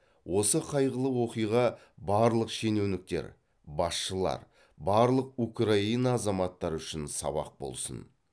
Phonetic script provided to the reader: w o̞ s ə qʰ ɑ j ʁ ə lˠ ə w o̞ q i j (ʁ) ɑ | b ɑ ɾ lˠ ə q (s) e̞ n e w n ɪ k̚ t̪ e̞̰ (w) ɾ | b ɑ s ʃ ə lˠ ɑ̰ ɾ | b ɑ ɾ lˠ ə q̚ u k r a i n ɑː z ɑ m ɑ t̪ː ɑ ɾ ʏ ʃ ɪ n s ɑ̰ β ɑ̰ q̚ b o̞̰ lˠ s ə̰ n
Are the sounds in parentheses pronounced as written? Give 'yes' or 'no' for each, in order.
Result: yes, no, no

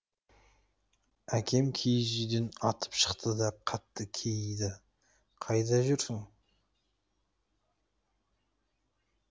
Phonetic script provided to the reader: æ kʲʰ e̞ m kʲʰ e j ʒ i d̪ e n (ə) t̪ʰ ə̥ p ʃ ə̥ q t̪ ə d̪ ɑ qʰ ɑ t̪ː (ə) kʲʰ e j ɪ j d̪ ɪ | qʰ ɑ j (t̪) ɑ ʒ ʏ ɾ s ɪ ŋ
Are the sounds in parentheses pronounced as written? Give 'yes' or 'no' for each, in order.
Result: no, yes, no

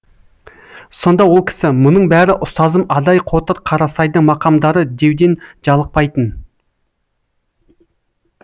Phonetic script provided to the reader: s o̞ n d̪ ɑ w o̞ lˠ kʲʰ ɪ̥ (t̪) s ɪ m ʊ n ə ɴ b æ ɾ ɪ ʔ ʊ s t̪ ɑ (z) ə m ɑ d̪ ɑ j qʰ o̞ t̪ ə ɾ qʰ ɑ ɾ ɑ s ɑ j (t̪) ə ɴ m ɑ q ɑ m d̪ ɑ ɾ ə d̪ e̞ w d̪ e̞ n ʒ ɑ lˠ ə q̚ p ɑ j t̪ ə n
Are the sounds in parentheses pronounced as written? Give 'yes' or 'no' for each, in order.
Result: no, yes, no

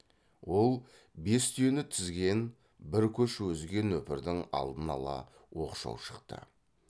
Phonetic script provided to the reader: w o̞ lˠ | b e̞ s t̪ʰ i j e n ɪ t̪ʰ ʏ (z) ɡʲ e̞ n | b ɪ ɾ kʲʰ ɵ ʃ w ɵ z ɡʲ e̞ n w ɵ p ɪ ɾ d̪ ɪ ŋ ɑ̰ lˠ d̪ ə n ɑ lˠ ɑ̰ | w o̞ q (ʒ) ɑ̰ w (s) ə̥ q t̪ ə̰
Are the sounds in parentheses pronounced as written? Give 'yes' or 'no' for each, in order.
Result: yes, no, no

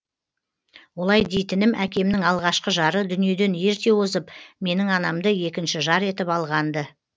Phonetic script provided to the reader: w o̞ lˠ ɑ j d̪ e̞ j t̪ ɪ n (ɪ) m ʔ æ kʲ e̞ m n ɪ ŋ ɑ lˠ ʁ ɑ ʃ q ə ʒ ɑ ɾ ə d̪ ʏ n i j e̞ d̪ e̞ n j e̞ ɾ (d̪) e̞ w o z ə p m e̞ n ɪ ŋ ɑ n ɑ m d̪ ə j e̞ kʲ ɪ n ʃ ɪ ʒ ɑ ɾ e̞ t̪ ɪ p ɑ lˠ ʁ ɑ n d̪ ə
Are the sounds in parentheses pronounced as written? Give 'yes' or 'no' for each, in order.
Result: yes, no

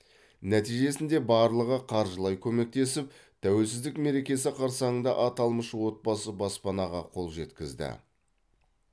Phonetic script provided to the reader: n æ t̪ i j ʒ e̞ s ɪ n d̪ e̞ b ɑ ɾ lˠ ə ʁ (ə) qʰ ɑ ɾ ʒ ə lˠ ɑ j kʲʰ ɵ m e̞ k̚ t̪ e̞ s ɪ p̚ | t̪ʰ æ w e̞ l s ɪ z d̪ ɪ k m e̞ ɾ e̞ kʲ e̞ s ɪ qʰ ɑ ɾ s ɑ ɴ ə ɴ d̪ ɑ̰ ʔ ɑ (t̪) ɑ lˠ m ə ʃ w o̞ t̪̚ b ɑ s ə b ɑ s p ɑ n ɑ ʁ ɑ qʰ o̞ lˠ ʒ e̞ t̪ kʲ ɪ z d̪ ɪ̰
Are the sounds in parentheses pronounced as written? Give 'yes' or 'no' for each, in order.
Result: yes, yes

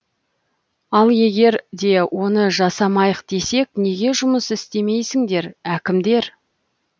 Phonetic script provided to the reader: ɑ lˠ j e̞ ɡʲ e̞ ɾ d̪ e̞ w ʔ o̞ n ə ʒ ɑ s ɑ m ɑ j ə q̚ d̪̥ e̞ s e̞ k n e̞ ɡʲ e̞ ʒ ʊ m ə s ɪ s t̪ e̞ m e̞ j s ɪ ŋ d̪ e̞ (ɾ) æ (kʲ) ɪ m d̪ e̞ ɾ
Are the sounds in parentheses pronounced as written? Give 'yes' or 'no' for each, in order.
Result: yes, yes

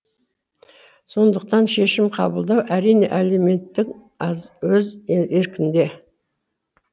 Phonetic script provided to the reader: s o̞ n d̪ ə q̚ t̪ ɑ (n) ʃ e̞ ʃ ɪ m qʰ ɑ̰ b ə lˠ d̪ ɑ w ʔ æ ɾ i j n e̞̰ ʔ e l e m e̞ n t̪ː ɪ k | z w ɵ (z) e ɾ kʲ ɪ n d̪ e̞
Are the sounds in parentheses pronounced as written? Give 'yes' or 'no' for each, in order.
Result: yes, yes

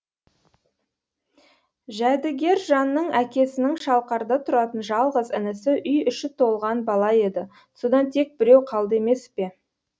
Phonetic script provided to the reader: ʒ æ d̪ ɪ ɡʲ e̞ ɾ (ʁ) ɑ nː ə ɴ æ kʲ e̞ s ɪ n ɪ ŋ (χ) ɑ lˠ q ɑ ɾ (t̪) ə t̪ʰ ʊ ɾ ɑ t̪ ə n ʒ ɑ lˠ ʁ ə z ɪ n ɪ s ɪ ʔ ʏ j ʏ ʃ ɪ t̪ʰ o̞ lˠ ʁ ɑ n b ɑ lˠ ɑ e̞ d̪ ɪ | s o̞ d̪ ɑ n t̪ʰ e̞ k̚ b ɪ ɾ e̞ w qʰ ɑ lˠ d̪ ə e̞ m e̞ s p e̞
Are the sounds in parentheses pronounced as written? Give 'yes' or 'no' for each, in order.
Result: no, no, no

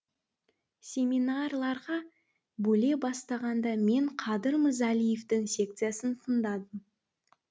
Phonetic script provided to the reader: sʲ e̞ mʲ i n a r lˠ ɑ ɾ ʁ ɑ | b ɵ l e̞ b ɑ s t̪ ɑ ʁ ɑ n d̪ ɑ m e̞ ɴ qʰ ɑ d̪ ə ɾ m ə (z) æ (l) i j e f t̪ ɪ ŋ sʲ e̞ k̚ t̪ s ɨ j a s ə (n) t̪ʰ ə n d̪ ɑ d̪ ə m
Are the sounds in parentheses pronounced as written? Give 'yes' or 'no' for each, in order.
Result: yes, yes, yes

